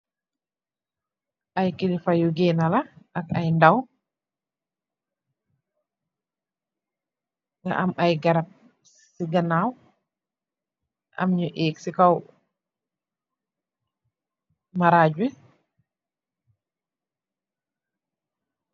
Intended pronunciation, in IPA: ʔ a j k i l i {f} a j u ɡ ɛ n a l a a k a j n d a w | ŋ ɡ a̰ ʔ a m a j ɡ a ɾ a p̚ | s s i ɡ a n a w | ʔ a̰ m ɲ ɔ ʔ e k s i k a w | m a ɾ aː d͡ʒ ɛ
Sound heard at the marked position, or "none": f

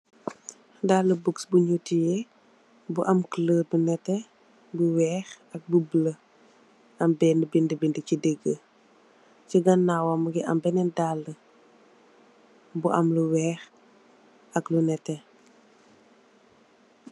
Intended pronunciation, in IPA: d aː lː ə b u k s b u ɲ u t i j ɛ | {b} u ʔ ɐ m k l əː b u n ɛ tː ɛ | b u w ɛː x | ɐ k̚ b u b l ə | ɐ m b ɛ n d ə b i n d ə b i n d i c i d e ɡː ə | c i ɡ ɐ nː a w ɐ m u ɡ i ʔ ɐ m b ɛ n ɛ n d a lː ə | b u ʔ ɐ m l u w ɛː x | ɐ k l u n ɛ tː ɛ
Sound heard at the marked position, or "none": b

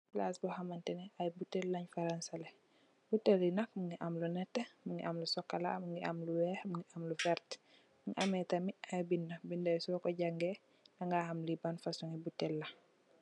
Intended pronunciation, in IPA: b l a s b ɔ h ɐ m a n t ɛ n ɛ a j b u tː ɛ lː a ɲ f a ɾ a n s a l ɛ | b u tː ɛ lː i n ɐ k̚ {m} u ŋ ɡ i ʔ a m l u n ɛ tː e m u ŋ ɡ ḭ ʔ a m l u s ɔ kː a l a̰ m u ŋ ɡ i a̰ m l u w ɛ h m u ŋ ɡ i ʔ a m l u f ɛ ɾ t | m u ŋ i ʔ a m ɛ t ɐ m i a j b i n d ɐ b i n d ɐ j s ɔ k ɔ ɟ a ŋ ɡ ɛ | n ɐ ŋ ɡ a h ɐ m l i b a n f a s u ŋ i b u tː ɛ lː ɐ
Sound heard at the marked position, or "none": m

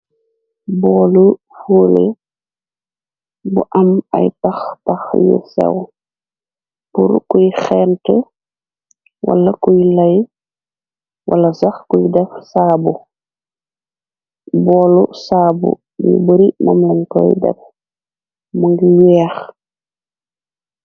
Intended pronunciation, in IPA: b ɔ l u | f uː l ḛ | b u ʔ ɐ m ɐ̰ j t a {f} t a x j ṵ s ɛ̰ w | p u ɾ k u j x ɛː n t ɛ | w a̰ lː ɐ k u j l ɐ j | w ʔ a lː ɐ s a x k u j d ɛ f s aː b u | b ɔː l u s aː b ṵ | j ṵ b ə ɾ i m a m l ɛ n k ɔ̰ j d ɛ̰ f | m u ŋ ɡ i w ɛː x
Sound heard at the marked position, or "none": x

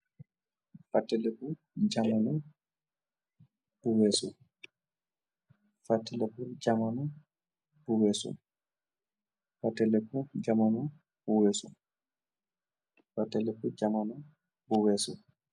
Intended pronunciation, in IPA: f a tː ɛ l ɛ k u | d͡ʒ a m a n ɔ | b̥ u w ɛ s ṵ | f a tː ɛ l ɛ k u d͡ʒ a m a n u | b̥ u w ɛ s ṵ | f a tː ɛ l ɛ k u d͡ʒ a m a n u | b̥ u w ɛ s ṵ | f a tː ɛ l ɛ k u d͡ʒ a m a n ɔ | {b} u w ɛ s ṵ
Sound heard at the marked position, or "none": b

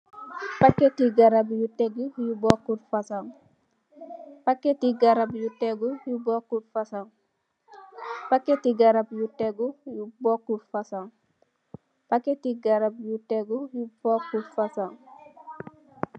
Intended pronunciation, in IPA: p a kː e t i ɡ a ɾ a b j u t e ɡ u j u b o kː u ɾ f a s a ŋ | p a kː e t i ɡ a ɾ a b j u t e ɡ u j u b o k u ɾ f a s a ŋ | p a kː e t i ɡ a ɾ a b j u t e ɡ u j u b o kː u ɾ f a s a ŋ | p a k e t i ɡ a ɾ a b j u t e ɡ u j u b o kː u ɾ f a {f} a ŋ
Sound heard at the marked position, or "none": s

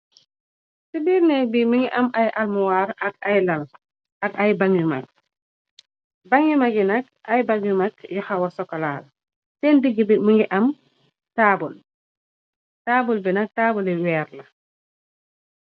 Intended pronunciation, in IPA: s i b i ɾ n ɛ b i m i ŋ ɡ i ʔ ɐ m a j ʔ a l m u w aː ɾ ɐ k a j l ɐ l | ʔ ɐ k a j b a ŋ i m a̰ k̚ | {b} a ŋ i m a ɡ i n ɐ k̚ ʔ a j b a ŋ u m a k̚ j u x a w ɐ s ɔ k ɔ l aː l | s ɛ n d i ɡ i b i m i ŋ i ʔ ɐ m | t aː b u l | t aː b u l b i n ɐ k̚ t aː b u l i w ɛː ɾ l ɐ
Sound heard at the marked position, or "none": b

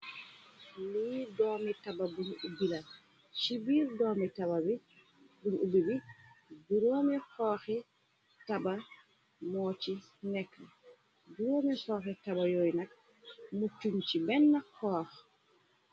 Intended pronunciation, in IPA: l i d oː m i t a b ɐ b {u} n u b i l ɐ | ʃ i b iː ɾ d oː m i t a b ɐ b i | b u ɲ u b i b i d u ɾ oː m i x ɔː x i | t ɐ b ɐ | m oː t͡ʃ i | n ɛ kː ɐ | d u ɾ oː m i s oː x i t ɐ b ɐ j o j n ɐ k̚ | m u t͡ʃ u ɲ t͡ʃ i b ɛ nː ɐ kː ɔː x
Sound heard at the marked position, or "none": u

